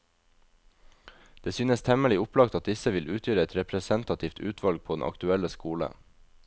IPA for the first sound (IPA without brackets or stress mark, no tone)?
d̪̥